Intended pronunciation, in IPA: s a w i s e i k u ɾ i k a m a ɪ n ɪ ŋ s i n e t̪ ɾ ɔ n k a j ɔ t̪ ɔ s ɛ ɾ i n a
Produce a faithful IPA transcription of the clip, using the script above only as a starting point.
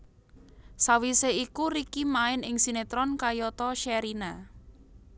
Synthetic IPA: s a w i s e i k u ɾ i k i m a ɪ n ɪ ŋ s i n e t̪ ɾ ɔ n k a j ɔ t̪ ɔ ʃ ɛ ɾ i n a